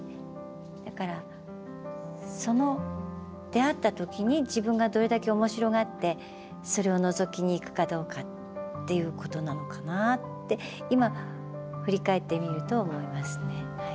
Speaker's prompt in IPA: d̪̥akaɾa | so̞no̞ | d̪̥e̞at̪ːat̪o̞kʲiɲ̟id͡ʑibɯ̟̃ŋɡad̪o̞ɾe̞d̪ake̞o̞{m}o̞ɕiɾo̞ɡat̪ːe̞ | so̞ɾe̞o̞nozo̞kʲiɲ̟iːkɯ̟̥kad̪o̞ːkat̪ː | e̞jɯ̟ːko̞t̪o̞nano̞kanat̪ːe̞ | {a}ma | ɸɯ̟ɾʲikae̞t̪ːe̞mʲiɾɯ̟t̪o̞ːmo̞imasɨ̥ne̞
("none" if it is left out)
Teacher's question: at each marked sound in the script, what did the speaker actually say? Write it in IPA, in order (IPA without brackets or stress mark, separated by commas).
m, i